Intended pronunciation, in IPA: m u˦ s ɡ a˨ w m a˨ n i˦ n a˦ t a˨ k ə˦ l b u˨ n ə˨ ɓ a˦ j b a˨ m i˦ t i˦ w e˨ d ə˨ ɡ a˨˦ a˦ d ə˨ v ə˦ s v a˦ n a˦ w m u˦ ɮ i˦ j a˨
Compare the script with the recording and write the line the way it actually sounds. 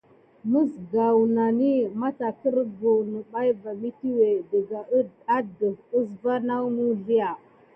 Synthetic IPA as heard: m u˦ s ɡ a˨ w n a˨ n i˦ m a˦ t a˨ k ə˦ ɾ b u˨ n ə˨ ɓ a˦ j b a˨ m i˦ t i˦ w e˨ d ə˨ ɡ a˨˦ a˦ d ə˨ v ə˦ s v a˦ n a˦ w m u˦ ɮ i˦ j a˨